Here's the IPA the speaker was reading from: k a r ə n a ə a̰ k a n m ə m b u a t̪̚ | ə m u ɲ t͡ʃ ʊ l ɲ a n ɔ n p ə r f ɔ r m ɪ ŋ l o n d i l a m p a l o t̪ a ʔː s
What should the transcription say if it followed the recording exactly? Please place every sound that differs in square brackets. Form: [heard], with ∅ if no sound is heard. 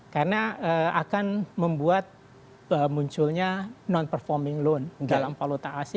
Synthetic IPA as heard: k a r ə n a ə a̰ k a n m ə m b u a t̪̚ | ə m u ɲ t͡ʃ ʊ l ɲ a n ɔ n p ə r f ɔ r m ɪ ŋ l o n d [a] l a m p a l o t̪ a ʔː s